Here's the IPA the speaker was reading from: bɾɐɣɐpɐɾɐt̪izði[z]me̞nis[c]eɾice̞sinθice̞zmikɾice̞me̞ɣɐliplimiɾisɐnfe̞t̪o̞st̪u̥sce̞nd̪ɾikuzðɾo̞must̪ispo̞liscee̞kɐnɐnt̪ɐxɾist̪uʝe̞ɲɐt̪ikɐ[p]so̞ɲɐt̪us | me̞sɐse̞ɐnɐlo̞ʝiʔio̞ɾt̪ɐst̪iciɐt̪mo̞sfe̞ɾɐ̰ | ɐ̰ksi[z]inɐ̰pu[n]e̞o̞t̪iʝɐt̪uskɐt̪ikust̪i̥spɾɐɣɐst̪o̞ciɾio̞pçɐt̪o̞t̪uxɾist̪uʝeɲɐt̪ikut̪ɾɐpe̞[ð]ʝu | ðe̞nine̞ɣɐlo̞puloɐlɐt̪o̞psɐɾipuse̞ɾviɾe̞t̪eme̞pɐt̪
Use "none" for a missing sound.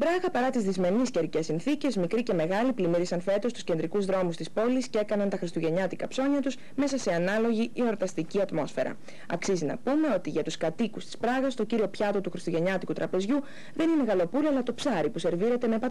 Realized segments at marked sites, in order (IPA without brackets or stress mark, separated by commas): z, c, p, z, m, z